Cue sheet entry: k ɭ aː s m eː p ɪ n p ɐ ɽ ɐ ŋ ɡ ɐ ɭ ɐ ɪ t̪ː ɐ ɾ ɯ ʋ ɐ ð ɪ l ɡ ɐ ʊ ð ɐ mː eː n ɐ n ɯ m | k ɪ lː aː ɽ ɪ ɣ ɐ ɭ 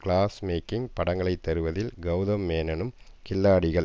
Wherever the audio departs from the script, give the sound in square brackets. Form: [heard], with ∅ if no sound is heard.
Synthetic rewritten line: k ɭ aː s m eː [k] ɪ [ŋ] p ɐ ɽ ɐ ŋ ɡ ɐ ɭ ɐ ɪ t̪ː ɐ ɾ ɯ ʋ ɐ ð ɪ l ɡ ɐ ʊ ð ɐ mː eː n ɐ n ɯ m | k ɪ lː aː ɽ ɪ ɣ ɐ ɭ

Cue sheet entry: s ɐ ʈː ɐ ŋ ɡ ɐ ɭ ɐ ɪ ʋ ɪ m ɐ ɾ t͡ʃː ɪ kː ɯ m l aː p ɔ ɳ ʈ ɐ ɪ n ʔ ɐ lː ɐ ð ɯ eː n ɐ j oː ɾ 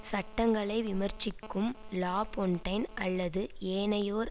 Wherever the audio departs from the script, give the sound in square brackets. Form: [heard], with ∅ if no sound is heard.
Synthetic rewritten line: s ɐ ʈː ɐ ŋ ɡ ɐ ɭ ɐ ɪ ʋ ɪ m ɐ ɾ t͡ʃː ɪ kː ɯ m l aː p ɔ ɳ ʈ ɐ ɪ n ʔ ɐ lː ɐ ð ɯ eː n ɐ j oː ɾ

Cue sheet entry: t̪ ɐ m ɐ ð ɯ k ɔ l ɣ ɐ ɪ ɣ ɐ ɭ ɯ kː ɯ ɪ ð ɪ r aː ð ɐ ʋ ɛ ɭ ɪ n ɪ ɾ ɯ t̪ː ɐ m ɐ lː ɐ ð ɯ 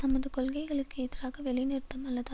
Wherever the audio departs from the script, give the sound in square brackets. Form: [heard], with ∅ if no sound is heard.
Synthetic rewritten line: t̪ ɐ m ɐ ð ɯ k ɔ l ɣ ɐ ɪ ɣ ɐ ɭ ɯ kː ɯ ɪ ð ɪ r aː [ɣ] ɐ ʋ ɛ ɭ ɪ n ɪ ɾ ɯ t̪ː ɐ m ɐ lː ɐ ð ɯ

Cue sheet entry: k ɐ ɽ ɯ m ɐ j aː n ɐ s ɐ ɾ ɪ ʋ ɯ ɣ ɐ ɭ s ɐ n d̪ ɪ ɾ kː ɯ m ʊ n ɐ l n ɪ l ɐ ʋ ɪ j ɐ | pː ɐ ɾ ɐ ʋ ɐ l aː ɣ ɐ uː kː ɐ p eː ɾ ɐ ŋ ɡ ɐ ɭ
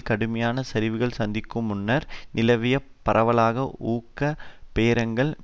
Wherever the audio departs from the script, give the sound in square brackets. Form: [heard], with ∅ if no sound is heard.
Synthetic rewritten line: k ɐ ɽ ɯ m ɐ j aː n ɐ s ɐ ɾ ɪ ʋ ɯ ɣ ɐ ɭ s ɐ n d̪ ɪ [∅] kː ɯ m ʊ [nː] ɐ [ɾ] n ɪ l ɐ ʋ ɪ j ɐ | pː ɐ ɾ ɐ ʋ ɐ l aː ɣ ɐ uː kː ɐ p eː ɾ ɐ ŋ ɡ ɐ ɭ

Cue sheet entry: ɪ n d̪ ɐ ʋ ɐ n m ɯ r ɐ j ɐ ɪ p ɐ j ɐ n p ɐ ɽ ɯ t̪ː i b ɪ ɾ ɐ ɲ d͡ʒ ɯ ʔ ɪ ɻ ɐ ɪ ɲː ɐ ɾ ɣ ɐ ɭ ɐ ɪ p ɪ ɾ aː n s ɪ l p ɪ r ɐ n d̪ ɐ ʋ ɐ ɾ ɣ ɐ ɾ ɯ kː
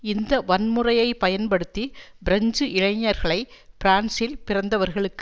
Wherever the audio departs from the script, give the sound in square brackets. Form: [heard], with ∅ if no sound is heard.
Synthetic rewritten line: ɪ n d̪ ɐ ʋ ɐ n m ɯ r ɐ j ɐ ɪ p ɐ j ɐ n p ɐ ɽ ɯ t̪ː i b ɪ ɾ ɐ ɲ d͡ʒ ɯ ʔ ɪ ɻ ɐ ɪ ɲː ɐ ɾ ɣ ɐ ɭ ɐ ɪ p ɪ ɾ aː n s ɪ l p ɪ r ɐ n d̪ ɐ ʋ ɐ ɾ ɣ ɐ [ɭ] ɯ kː

